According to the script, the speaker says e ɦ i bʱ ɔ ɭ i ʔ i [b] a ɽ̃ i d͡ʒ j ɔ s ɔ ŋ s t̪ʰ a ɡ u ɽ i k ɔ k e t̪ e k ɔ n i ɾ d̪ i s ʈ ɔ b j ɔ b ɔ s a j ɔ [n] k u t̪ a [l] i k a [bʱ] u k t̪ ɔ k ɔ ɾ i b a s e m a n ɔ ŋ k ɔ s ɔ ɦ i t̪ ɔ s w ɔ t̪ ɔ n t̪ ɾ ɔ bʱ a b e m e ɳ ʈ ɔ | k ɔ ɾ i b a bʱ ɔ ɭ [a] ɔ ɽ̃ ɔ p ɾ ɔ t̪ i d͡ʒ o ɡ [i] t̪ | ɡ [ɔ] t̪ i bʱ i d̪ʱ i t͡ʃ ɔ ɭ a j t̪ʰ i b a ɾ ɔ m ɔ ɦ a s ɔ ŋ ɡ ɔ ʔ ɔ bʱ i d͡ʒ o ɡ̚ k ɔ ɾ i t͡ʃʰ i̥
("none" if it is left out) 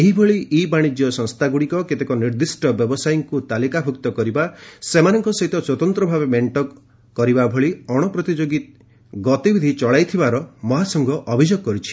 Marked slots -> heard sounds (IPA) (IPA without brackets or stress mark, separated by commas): b, ŋ, l, bʱ, i, i, ɔ